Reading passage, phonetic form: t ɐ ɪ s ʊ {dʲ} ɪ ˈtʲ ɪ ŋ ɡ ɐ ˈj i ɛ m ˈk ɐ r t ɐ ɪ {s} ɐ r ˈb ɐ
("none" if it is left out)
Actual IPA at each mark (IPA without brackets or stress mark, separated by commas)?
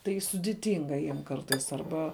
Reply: dʲ, s